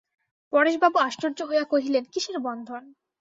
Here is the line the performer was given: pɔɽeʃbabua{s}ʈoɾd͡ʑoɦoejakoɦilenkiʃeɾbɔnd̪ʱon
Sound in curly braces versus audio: incorrect: ʃ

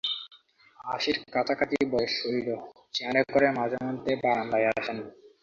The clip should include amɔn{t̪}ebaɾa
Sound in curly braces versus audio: correct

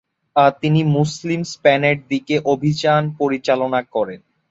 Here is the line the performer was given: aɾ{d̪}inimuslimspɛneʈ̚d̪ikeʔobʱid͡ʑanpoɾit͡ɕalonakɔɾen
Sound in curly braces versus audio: incorrect: t̪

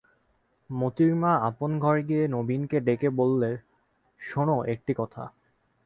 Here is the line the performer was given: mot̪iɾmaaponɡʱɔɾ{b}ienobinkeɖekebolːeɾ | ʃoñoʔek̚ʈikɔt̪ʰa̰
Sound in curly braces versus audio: incorrect: ɡ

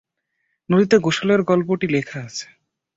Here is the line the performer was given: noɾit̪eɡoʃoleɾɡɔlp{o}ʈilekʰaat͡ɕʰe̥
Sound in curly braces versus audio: correct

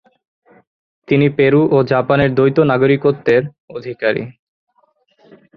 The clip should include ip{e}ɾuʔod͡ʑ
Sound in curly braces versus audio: correct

